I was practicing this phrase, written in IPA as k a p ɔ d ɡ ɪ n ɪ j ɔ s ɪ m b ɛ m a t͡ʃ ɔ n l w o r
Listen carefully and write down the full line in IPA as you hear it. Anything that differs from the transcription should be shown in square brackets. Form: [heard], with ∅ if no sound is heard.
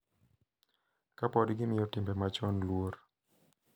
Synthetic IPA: k a p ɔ d ɡ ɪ [m] ɪ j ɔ [t] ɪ m b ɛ m a t͡ʃ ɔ n l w o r